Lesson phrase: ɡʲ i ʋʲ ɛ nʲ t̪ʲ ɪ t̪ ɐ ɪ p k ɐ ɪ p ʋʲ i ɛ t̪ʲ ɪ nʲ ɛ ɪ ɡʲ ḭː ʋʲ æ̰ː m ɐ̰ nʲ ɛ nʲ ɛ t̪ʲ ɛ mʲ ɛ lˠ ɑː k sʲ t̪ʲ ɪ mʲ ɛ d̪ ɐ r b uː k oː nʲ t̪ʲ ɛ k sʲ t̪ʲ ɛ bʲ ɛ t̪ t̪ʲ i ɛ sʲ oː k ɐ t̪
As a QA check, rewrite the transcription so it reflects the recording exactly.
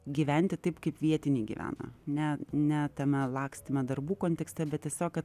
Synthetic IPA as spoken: ɡʲ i ʋʲ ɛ nʲ t̪ʲ ɪ t̪ ɐ ɪ p k ɐ ɪ p ʋʲ i ɛ t̪ʲ ɪ nʲ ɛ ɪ ɡʲ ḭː ʋʲ æ̰ː n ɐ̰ nʲ ɛ nʲ ɛ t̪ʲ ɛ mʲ ɛ lˠ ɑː k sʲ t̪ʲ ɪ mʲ ɛ d̪ ɐ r b uː k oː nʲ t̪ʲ ɛ k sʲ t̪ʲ ɛ bʲ ɛ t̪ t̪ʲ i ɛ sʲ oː k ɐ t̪